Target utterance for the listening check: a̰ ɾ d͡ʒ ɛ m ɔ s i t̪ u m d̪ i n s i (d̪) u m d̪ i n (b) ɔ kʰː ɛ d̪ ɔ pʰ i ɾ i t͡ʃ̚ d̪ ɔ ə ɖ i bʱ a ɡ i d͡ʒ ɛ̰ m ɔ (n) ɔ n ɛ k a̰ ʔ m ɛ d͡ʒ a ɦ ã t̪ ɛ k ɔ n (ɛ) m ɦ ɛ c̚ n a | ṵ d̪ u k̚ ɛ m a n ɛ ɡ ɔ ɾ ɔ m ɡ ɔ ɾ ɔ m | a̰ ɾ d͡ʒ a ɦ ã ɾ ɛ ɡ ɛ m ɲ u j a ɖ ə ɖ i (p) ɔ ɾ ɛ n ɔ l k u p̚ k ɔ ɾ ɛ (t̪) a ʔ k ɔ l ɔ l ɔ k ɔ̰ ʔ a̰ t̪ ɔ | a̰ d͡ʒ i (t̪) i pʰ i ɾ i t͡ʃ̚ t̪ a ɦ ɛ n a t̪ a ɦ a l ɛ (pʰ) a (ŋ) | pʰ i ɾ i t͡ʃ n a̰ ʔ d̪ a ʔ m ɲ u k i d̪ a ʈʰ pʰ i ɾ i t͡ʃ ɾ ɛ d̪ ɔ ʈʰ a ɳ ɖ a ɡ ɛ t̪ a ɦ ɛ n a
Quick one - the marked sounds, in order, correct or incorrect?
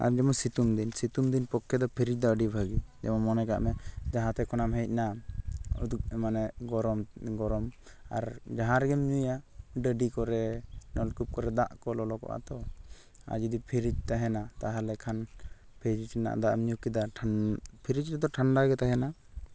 incorrect, incorrect, incorrect, incorrect, incorrect, incorrect, incorrect, incorrect, incorrect

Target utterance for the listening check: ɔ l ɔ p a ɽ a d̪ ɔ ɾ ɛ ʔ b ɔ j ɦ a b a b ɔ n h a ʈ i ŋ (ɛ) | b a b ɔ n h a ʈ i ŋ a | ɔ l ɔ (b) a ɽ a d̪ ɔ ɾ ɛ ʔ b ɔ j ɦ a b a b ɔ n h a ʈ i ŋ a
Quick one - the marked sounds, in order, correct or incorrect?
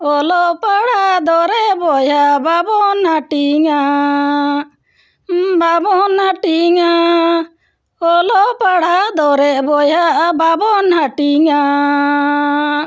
incorrect, incorrect

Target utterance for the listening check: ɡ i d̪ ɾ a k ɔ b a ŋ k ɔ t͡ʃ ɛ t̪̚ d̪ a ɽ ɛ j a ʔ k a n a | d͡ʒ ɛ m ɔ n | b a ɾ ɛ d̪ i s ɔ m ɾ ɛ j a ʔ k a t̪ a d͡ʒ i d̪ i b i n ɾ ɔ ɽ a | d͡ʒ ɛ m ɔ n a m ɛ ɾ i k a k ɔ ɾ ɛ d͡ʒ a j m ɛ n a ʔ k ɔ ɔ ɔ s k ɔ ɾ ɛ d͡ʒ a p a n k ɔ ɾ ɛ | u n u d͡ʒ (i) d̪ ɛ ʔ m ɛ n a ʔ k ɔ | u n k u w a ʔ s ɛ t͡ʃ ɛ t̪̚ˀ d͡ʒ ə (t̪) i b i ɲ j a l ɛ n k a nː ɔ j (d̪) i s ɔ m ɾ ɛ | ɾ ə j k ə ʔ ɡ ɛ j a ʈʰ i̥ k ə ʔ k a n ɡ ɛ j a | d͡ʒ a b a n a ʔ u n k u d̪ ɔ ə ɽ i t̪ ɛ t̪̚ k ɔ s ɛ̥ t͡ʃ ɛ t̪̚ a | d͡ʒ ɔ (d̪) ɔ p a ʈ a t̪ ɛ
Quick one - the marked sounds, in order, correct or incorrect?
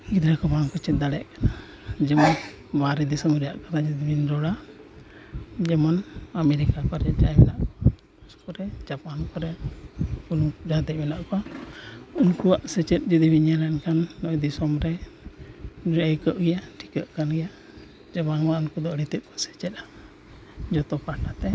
incorrect, incorrect, correct, incorrect

